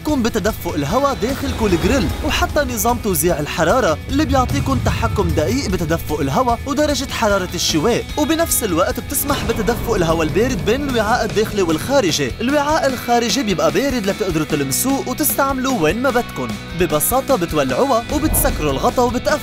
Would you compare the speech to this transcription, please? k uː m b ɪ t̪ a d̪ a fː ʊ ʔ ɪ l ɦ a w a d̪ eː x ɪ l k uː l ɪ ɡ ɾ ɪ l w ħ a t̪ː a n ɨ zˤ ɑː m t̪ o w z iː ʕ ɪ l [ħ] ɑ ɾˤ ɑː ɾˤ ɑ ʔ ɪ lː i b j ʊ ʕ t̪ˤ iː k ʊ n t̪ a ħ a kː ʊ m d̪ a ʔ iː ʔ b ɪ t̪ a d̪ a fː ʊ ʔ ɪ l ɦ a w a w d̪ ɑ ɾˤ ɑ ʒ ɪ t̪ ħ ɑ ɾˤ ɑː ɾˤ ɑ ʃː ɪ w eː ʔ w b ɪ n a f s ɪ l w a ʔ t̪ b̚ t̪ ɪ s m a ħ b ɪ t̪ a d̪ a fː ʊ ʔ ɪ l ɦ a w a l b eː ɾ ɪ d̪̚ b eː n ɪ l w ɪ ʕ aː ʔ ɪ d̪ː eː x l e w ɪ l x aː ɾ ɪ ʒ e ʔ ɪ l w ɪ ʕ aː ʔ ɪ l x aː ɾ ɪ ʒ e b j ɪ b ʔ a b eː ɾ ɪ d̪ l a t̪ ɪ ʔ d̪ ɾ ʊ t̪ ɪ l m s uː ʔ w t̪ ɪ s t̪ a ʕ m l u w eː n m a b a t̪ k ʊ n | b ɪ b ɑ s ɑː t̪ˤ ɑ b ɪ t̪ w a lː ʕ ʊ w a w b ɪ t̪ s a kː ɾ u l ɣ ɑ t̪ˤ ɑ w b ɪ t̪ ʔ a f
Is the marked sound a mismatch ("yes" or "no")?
no